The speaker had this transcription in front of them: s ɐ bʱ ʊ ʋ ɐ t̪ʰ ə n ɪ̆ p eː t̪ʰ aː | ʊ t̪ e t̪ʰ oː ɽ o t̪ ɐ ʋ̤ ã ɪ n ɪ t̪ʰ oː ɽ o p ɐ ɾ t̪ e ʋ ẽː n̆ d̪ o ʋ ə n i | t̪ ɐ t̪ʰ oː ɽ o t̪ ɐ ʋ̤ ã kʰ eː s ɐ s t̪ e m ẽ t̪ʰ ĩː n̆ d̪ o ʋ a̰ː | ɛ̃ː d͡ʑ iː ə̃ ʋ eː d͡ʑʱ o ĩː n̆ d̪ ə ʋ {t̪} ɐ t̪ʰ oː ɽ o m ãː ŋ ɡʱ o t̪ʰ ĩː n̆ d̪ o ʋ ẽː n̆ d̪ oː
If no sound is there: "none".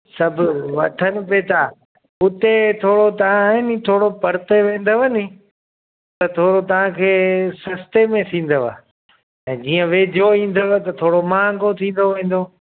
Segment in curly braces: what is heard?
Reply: t̪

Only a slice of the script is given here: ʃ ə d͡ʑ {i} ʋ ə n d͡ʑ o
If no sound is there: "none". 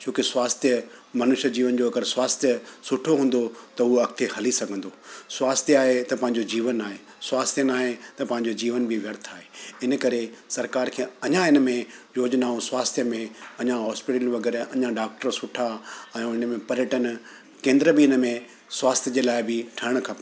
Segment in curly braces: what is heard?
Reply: iː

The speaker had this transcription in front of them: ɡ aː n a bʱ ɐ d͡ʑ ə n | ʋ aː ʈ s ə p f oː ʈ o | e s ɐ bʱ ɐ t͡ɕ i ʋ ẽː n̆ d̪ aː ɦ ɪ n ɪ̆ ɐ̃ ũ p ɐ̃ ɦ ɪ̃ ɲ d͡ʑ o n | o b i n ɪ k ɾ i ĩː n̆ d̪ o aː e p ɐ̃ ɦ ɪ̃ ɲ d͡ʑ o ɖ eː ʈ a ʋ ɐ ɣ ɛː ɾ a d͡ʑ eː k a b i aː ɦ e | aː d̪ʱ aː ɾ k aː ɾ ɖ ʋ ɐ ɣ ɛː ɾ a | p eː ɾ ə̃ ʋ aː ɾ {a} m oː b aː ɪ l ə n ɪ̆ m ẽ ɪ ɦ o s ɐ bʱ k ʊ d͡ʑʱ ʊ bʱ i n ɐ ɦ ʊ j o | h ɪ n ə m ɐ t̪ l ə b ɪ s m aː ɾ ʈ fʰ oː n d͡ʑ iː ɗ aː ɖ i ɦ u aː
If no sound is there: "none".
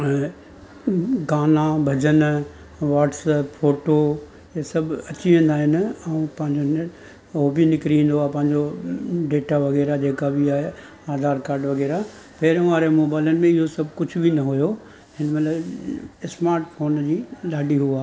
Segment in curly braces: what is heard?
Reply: e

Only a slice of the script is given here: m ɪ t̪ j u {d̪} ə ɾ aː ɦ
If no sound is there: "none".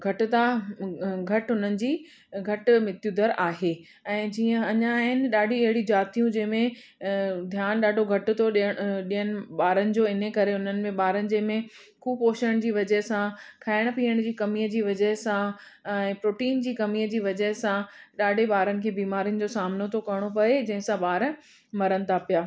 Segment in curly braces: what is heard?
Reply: d̪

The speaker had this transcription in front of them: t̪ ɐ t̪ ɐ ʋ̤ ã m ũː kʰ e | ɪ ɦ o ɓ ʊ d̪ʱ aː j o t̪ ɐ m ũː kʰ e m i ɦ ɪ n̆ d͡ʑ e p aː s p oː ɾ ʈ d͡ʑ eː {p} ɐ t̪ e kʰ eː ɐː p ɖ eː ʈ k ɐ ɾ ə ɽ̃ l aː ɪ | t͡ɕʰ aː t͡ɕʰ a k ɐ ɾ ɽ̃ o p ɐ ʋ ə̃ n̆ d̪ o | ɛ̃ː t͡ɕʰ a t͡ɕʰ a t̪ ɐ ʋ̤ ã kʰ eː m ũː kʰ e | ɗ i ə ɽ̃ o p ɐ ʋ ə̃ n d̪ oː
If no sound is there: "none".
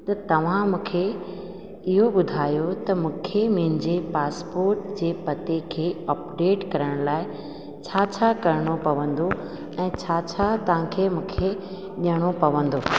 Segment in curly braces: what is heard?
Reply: p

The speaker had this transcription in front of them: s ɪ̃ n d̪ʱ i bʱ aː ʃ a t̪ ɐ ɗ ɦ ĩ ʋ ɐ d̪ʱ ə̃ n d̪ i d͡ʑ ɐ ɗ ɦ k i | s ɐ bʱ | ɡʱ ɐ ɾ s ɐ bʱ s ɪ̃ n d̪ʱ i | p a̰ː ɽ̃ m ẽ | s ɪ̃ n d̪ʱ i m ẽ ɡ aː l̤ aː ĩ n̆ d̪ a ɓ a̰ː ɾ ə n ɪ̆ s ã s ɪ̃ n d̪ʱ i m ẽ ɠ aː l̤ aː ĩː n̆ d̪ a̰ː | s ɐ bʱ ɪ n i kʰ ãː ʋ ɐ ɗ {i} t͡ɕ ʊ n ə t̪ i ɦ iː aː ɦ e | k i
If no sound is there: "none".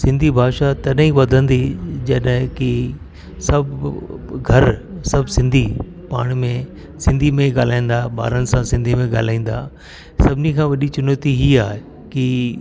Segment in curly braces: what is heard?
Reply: i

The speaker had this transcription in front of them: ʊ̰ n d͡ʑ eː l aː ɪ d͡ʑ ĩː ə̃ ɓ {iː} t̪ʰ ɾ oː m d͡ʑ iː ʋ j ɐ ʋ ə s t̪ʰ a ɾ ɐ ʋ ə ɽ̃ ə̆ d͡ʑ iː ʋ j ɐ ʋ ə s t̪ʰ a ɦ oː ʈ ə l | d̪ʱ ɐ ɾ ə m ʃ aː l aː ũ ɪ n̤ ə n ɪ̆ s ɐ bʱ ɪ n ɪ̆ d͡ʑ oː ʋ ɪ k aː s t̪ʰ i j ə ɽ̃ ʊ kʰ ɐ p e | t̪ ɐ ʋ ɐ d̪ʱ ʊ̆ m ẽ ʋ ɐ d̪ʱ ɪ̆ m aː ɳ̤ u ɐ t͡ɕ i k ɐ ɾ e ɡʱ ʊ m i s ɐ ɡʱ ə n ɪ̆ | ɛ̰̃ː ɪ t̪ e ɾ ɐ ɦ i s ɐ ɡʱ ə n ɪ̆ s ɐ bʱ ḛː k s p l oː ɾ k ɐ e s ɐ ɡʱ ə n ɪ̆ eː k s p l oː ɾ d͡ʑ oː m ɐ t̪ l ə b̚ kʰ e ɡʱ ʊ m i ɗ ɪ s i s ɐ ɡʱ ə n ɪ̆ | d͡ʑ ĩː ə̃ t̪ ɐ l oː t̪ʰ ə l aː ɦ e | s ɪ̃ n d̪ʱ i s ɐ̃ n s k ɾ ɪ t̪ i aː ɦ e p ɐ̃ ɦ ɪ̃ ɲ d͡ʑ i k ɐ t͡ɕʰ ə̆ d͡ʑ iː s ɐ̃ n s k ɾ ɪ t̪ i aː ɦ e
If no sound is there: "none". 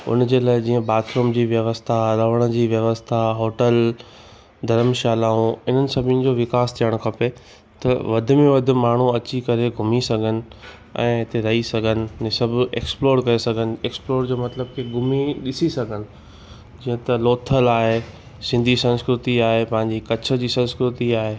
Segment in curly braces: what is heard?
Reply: aː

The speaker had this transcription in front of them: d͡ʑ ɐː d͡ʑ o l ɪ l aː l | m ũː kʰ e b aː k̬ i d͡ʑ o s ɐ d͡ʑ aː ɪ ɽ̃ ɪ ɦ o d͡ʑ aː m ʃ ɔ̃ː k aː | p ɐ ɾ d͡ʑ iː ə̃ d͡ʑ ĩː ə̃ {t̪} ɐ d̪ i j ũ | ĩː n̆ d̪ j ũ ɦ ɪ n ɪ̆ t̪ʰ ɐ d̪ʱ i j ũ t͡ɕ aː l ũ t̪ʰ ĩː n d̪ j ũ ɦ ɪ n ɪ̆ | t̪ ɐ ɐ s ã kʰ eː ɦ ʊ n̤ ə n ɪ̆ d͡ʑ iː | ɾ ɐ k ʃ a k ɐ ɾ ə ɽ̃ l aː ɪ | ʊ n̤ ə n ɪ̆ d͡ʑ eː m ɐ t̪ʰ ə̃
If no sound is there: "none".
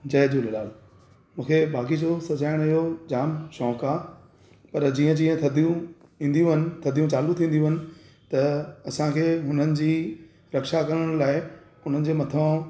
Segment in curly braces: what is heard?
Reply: t̪ʰ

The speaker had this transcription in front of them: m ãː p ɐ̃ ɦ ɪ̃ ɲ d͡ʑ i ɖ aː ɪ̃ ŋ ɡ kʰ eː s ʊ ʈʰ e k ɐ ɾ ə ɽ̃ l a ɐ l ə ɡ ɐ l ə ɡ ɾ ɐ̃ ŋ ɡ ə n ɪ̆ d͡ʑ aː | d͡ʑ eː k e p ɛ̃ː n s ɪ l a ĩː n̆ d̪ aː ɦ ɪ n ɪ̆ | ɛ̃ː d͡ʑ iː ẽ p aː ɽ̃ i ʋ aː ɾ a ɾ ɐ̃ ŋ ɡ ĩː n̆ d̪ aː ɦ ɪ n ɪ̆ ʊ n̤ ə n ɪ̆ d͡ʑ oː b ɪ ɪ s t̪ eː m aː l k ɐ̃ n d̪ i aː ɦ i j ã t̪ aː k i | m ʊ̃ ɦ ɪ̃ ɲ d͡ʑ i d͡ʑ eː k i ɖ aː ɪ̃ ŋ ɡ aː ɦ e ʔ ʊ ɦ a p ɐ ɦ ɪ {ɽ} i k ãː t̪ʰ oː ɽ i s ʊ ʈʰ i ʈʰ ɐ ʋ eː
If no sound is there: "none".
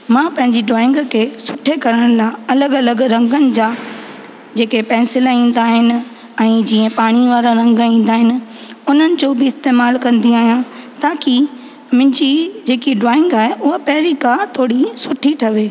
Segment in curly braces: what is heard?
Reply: ɾ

